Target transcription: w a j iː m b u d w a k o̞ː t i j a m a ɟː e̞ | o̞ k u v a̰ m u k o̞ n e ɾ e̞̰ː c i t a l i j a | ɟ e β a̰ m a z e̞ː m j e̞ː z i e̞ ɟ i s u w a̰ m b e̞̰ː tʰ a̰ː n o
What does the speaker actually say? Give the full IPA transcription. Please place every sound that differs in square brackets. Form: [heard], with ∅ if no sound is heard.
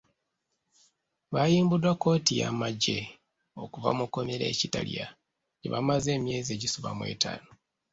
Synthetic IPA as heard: [β] a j iː m b u d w a k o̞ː t i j a m a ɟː e̞ | o̞ k u v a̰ m u k o̞ [m] e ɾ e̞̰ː c i t a l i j a | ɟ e β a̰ m a z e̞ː m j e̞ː z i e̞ ɟ i s u [β] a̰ m [w] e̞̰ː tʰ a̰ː n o

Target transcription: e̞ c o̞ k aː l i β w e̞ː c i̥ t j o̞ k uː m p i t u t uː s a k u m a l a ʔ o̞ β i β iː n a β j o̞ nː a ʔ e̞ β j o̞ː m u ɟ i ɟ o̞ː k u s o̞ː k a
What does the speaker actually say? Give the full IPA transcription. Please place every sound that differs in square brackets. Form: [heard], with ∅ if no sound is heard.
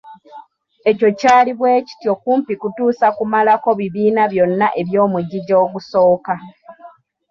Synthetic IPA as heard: e̞ c o̞ [c] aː l i β w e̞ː c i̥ t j o̞ k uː m p i [k] u t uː s a k u m a l a [k] o̞ β i β iː n a β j o̞ nː a ʔ e̞ β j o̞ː m u ɟ i ɟ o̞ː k u s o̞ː k a

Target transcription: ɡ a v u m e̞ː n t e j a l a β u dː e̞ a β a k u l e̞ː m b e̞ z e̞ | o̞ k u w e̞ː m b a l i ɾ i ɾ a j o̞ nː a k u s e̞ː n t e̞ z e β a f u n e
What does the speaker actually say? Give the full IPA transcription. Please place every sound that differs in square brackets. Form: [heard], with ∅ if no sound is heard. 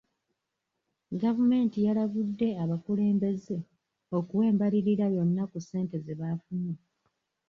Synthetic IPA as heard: ɡ a v u m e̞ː n t [i] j a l a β u dː e̞ a β a k u l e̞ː m b e̞ z e̞ | o̞ k u w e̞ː m b a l i ɾ i ɾ a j o̞ nː a k u s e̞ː n t e̞ z e β a f u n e

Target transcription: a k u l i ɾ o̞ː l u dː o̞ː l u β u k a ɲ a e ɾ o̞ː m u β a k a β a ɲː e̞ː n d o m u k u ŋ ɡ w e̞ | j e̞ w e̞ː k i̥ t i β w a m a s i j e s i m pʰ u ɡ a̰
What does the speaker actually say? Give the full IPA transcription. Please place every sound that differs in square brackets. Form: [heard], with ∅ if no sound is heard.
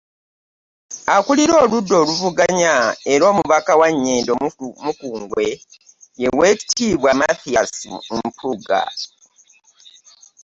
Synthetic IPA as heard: a k u l i ɾ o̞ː l u dː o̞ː l u [v] u [ɡ] a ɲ a e ɾ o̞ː m u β a k a [w] a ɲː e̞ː n d o m u k [uː] ŋ ɡ w e̞ | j e̞ w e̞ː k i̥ t i β w a m a [θ] i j [a] s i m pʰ u ɡ a̰

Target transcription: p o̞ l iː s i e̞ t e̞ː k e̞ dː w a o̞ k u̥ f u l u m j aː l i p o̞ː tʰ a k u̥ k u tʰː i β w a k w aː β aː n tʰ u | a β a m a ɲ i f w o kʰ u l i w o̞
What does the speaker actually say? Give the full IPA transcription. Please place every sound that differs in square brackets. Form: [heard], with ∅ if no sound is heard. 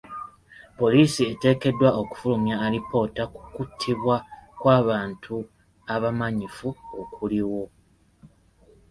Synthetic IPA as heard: p o̞ l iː s i e̞ t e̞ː k e̞ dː w a o̞ k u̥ f u l u m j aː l i p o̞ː [t] a k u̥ k u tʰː i β w a k w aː β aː n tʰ u | a β a m a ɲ i f [u] o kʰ u l i w o̞

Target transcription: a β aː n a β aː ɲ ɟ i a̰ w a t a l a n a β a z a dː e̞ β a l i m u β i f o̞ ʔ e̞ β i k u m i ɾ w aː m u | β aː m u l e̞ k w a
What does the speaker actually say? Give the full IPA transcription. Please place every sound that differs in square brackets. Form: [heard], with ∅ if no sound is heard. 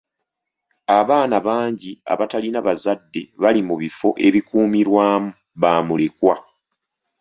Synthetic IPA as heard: a β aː n a β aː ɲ ɟ i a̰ [β] a t a l [i] n a β a z a dː e̞ β a l i m u β i f o̞ ʔ e̞ β i k [uː] m i ɾ w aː m u | β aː m u l e̞ k w a

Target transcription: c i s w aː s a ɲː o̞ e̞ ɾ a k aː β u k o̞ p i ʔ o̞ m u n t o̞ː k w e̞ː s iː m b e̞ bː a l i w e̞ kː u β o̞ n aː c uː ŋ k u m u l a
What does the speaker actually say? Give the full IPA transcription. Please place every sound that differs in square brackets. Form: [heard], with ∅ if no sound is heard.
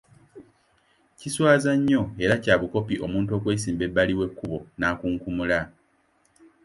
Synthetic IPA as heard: c i s w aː [z] a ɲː o̞ e̞ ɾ a [c] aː β u k o̞ p i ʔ o̞ m [uː] n t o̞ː k w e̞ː s iː m b e̞ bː a l i w e̞ kː u β o̞ n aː [k] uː ŋ k u m u l a

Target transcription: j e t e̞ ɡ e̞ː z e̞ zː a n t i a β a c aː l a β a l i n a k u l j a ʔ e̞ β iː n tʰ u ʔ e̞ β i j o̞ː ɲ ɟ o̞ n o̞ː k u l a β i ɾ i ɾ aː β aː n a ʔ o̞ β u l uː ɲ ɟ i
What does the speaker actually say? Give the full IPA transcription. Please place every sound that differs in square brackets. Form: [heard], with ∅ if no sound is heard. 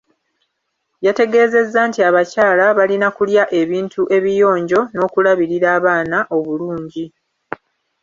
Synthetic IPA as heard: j [a] t e̞ ɡ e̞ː z e̞ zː a n t i a β a c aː l a β a l i n a k u l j a ʔ e̞ β iː n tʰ u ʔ e̞ β i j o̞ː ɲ ɟ o̞ n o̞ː k u l a β i ɾ i ɾ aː β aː n a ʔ o̞ β u l uː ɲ ɟ i

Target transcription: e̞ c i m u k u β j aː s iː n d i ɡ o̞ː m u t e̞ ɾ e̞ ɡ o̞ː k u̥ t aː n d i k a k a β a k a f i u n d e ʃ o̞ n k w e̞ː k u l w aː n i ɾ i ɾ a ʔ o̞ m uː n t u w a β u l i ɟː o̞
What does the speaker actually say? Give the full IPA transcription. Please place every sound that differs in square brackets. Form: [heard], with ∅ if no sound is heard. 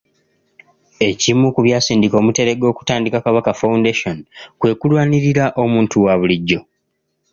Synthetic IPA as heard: e̞ c i m u k u β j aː s iː n d i [k] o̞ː m u t e̞ ɾ e̞ ɡ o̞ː k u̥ t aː n d i k a k a β a k a f [a] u n d e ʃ o̞ n k w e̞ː k u l w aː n i ɾ i ɾ a ʔ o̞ m uː n t u w a β u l i ɟː o̞

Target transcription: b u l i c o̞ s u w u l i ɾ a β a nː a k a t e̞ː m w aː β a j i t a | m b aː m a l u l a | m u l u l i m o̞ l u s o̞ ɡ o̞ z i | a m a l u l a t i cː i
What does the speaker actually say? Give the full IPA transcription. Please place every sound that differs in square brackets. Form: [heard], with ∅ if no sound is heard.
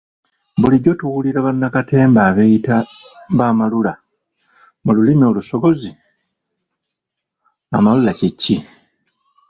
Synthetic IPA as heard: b u l i [ɟ] o̞ [t] u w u l i ɾ a β a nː a k a t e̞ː m [b] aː β [e] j i t a | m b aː m a l u l a | m u l u l i m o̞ l u s o̞ ɡ o̞ z i | a m a l u l a [c] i cː i

